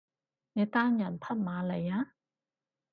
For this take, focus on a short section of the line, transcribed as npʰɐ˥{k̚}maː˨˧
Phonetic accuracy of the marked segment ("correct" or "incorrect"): incorrect